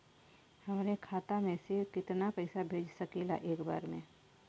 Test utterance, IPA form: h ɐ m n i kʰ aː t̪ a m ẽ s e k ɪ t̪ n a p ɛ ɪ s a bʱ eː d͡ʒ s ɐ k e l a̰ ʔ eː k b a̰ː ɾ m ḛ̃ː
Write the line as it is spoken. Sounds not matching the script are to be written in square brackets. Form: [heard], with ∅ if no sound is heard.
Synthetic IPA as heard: h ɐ m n [e] kʰ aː t̪ a m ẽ s e k ɪ t̪ n a p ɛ ɪ s a bʱ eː d͡ʒ s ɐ k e l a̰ ʔ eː k b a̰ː ɾ m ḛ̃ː